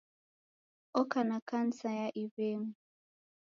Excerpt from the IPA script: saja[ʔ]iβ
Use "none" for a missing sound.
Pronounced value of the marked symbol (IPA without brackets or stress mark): ʔ